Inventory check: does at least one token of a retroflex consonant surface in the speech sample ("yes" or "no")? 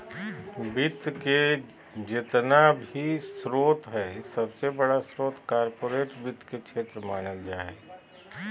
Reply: yes